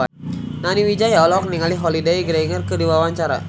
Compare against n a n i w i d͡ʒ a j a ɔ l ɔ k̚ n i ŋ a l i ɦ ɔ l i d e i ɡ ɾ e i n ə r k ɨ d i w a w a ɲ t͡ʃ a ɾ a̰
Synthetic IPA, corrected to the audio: n a n i w i d͡ʒ a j a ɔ l ɔ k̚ n i ŋ a l i ɦ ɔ l i d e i ɡ ɾ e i ŋ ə r k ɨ d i w a w a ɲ t͡ʃ a ɾ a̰